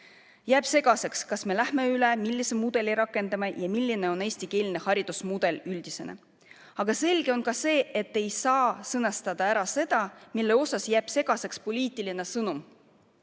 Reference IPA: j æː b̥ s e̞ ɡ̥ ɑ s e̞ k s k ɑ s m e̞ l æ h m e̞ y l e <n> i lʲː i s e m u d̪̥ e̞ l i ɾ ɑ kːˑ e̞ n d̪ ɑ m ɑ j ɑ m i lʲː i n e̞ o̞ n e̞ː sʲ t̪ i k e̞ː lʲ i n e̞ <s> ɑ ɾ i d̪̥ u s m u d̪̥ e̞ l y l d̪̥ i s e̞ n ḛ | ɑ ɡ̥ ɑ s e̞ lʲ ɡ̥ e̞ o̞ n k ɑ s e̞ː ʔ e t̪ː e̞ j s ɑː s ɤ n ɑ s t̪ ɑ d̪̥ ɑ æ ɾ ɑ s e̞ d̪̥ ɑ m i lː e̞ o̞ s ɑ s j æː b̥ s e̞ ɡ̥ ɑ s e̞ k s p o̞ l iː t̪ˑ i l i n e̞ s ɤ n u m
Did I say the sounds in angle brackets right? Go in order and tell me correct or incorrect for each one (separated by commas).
incorrect, incorrect